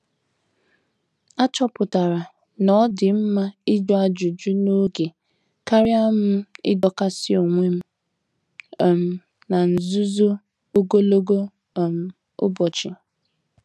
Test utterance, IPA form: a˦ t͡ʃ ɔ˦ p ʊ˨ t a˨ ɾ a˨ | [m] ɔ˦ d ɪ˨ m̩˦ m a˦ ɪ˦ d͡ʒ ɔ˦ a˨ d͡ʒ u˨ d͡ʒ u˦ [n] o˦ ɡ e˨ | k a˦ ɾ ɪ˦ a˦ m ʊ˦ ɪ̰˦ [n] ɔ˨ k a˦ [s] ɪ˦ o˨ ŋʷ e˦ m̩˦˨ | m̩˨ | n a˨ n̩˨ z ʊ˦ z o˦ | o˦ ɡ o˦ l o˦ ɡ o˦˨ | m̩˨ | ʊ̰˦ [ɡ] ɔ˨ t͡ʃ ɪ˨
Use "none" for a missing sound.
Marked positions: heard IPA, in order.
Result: n, n, d, s, b

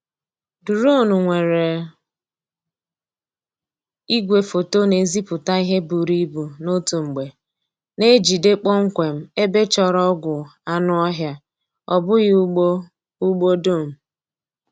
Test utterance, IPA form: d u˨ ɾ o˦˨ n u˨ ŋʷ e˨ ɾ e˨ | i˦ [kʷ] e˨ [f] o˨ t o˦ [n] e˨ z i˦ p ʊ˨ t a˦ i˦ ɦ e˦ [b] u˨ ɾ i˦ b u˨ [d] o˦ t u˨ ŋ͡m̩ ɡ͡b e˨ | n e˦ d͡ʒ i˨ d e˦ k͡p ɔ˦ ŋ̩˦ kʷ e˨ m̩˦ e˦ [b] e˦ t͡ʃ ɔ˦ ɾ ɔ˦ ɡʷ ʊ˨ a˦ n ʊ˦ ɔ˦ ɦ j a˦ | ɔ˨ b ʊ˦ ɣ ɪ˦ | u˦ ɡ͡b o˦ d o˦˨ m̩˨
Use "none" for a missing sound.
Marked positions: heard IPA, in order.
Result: ɡʷ, f, n, b, n, b

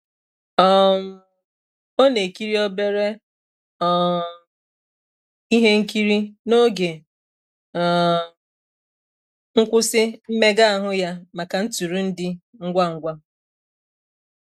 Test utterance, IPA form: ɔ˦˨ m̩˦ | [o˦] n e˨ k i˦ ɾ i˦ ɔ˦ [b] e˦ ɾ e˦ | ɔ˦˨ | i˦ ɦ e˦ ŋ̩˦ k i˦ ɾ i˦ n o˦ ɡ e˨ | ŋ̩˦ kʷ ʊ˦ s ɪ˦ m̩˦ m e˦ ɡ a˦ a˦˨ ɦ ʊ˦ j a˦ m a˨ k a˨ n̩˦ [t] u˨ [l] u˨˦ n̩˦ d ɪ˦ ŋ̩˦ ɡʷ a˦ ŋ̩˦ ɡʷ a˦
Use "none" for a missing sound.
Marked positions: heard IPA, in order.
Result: o˦, b, t, ɾ

